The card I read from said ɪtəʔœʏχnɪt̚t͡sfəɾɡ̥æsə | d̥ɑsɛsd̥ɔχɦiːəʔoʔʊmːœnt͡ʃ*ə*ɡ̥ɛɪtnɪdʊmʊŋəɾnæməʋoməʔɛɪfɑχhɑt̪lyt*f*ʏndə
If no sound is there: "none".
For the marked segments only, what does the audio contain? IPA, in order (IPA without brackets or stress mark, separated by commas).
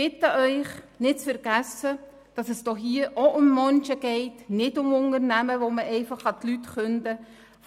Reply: ə, χ